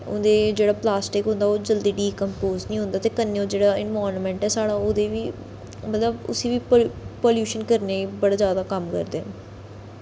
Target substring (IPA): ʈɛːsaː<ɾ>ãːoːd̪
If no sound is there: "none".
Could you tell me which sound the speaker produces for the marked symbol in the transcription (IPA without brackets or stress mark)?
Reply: ɽ